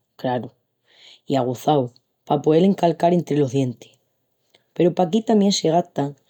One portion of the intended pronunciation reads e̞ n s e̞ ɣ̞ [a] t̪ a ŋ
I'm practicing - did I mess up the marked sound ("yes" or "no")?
no